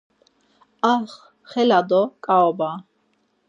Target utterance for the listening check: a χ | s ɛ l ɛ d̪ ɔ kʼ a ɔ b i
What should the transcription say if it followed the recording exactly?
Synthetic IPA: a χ | χ ɛ l a d̪ ɔ kʼ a ɔ b a

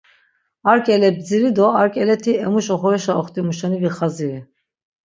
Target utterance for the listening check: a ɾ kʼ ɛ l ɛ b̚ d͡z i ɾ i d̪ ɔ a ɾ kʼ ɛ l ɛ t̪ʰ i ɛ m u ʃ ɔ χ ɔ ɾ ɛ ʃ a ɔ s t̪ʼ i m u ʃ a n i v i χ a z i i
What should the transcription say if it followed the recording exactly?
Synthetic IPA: a ɾ kʼ ɛ l ɛ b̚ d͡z i ɾ i d̪ ɔ a ɾ kʼ ɛ l ɛ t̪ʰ i ɛ m u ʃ ɔ χ ɔ ɾ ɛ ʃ a ɔ χ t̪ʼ i m u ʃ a n i v i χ a z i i

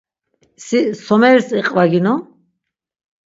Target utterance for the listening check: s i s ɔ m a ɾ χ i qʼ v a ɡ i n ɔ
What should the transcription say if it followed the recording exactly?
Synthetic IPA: s i s ɔ m ɛ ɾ s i qʼ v a ɡ i n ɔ

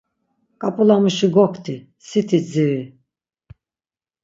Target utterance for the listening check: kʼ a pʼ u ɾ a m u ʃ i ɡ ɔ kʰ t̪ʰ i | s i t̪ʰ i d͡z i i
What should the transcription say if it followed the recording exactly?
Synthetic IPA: kʼ a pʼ u l a m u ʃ i ɡ ɔ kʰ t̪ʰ i | s i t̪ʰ i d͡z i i

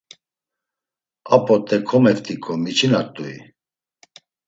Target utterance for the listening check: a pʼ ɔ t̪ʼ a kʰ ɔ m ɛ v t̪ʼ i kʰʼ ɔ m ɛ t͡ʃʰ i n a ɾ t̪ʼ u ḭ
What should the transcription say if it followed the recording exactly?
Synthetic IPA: a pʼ ɔ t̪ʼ ɛ kʰ ɔ m ɛ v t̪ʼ i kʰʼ ɔ m i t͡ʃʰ i n a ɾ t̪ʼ u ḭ

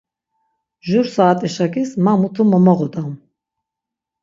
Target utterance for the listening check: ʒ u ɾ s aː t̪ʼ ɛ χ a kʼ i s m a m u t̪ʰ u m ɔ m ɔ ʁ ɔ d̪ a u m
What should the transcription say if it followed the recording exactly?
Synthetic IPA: ʒ u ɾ s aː t̪ʼ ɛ ʃ a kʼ i s m a m u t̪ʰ u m ɔ m ɔ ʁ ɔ d̪ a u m

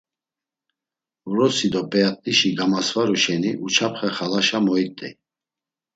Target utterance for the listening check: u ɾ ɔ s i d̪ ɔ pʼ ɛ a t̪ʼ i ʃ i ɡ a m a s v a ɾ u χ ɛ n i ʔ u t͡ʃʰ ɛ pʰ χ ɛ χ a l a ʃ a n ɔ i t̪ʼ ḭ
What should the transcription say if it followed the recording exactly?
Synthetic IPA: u ɾ ɔ s i d̪ ɔ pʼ ɛ a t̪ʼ i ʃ i ɡ a m a s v a ɾ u ʃ ɛ n i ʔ u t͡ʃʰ a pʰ χ ɛ χ a l a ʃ a m ɔ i t̪ʼ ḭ

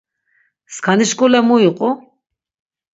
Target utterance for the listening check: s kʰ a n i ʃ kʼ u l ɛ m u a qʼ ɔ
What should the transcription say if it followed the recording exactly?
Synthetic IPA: s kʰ a n i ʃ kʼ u l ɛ m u i qʼ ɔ

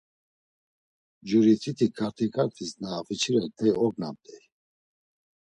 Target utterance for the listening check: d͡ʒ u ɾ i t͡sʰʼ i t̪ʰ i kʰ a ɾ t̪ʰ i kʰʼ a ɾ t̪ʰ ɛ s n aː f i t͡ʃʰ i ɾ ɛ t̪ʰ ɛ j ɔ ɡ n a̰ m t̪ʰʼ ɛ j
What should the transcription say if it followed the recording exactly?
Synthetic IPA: d͡ʒ u ɾ i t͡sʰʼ i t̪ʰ i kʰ a ɾ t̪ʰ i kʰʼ a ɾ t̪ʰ i s n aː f i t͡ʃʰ i ɾ ɛ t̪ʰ ɛ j ɔ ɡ n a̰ m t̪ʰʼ ɛ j

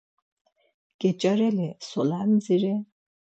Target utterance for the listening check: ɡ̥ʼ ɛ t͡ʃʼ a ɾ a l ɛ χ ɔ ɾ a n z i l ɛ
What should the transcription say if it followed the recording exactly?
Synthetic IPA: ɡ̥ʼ ɛ t͡ʃʼ a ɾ ɛ l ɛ s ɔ l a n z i ɾ ɛ

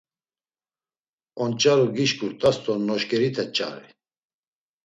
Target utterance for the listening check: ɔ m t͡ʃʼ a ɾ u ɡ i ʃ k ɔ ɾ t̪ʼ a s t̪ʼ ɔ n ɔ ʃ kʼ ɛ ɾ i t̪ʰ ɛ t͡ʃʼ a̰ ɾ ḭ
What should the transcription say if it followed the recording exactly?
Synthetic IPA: ɔ n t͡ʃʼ a ɾ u ɡ i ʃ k u ɾ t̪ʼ a s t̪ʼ ɔ n ɔ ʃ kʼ ɛ ɾ i t̪ʰ ɛ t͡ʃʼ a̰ ɾ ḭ

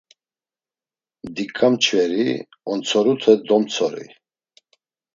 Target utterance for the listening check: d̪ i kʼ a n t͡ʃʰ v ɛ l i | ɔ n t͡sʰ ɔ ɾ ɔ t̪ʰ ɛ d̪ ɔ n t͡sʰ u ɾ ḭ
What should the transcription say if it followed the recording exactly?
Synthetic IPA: d̪ i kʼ a m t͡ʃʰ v ɛ ɾ i | ɔ n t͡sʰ ɔ ɾ u t̪ʰ ɛ d̪ ɔ m t͡sʰ ɔ ɾ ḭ

